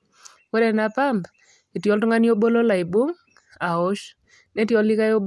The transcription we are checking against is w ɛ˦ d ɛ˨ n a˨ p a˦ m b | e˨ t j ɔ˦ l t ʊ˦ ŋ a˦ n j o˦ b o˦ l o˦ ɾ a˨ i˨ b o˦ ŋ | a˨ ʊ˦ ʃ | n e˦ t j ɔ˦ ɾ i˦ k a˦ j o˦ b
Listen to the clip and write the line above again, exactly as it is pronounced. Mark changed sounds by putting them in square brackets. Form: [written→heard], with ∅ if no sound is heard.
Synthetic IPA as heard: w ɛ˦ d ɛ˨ n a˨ p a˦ m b | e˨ t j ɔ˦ l t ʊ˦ ŋ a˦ n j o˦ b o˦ l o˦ [ɾ→l] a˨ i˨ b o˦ ŋ | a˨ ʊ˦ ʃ | n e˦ t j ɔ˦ [ɾ→l] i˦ k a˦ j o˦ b